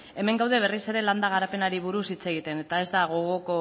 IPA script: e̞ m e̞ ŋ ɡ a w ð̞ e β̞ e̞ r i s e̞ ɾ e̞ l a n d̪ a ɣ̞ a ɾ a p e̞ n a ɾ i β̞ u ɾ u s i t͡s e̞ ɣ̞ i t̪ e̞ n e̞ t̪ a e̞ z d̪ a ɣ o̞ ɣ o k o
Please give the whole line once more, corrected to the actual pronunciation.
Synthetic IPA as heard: e̞ m e̞ ŋ ɡ a w ð̞ e β̞ e̞ r i s e̞ ɾ e̞ l a n d̪ a ɣ̞ a ɾ a p e̞ n a ɾ i β̞ u ɾ u s i t͡s e̞ ɣ̞ i t̪ e̞ n e̞ t̪ a e̞ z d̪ a ɣ o̞ ɣ o k o